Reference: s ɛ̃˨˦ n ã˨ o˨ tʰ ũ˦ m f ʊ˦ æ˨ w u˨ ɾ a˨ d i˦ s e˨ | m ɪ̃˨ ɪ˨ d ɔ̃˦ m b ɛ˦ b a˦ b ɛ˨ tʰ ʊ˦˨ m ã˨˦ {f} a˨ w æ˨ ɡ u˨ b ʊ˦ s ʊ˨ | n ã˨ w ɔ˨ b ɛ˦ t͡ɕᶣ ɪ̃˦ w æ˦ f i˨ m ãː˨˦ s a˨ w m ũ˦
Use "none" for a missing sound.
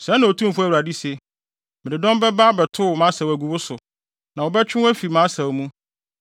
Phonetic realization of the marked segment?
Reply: s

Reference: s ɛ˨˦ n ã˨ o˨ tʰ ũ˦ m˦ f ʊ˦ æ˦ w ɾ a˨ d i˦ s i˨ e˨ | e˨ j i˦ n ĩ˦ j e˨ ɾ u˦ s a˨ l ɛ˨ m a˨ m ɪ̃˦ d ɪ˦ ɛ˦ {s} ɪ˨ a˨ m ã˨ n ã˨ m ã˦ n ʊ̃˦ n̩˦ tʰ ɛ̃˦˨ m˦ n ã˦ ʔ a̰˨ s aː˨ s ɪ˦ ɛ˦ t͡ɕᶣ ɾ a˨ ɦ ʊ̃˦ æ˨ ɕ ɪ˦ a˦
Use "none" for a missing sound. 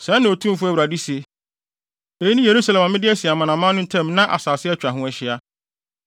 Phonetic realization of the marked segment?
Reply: s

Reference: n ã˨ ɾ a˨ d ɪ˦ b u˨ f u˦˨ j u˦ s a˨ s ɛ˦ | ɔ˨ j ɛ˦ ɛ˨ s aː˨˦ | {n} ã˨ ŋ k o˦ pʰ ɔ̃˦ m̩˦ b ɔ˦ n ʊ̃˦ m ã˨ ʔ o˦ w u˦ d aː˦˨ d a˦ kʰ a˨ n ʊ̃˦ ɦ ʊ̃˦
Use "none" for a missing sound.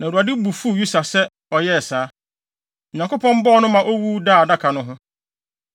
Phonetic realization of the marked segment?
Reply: ɲ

